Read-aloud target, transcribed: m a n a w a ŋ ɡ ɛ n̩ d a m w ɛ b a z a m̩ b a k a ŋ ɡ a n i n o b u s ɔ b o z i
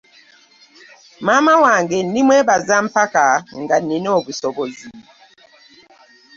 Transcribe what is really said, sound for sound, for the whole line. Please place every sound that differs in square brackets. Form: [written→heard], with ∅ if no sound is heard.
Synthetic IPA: m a [n→m] a w a ŋ ɡ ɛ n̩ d [a→i] m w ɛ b a z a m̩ [b→p] a k a ŋ ɡ a n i n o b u s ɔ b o z i